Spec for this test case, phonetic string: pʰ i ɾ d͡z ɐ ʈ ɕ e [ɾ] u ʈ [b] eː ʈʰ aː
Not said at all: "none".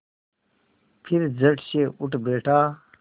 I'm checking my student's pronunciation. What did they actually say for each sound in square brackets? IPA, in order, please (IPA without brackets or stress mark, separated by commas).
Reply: none, b